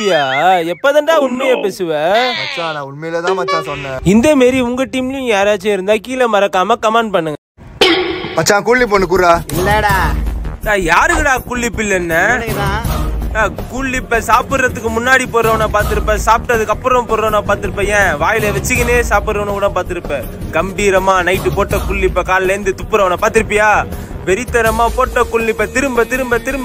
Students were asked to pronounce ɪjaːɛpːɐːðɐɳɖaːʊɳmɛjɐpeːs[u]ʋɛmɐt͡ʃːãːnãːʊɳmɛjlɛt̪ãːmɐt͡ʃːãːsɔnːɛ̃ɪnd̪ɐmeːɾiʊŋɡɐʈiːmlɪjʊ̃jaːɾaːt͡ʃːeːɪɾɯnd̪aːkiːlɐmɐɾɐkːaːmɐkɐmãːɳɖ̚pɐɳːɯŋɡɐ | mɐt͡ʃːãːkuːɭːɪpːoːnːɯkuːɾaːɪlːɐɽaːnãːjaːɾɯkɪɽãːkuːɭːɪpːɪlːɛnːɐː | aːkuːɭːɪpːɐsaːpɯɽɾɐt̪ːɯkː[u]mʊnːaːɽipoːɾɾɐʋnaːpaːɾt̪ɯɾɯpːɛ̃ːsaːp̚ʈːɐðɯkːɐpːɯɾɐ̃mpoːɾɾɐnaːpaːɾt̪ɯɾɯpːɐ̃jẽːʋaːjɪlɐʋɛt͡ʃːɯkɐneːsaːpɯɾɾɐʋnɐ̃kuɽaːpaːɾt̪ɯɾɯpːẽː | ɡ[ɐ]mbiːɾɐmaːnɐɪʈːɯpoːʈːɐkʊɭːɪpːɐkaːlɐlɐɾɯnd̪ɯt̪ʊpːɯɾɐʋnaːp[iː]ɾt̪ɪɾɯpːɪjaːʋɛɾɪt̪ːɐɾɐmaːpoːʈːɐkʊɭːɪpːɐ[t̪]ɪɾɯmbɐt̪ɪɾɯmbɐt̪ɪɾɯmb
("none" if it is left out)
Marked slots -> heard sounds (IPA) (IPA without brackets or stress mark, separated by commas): ɯ, ɯ, ɐ, aː, t̪